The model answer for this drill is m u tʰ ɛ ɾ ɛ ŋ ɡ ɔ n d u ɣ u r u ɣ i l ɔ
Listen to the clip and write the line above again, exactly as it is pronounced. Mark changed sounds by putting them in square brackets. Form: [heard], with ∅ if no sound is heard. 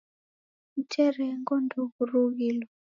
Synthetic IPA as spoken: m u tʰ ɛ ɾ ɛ ŋ ɡ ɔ n d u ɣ u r u ɣ i l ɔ